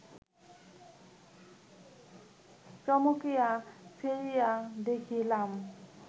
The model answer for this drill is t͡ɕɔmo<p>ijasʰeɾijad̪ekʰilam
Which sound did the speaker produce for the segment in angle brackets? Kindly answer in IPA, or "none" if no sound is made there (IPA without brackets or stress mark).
k